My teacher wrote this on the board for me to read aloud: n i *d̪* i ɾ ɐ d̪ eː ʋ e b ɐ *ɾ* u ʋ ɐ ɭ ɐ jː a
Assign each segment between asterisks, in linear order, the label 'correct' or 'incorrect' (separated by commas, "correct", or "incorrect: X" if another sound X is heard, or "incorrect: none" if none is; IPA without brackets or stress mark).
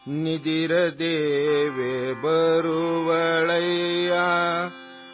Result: correct, correct